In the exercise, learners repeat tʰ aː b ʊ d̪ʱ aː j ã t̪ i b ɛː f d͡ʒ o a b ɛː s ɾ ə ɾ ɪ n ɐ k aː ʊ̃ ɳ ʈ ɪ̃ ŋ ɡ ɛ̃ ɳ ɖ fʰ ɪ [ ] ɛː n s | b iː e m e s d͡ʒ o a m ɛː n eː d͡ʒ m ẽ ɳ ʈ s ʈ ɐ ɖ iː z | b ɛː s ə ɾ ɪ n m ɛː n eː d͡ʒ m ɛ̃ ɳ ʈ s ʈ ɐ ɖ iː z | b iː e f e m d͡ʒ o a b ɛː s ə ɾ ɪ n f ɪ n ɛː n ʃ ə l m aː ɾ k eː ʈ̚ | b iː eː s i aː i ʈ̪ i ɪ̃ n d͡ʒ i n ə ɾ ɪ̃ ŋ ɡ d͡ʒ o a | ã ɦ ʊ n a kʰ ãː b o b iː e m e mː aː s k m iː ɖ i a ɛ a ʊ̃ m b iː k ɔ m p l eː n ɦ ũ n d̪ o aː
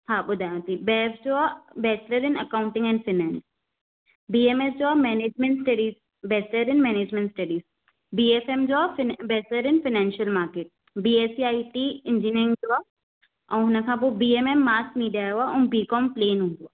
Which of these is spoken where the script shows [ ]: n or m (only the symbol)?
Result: n